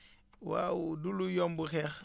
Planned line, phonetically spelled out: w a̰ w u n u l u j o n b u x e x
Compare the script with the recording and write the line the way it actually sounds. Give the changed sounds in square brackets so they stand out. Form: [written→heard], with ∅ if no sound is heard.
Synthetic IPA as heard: w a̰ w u [n→d] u l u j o [n→m] b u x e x